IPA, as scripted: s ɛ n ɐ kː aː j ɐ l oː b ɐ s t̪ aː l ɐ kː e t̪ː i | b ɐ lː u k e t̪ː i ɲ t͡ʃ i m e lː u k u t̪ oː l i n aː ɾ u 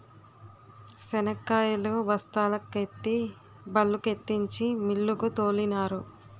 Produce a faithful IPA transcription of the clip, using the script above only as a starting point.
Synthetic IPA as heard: s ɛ n ɐ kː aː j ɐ l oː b ɐ s t̪ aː l ɐ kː e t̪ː i | b ɐ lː u k e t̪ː i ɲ t͡ʃ i m i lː u k u t̪ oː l i n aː ɾ u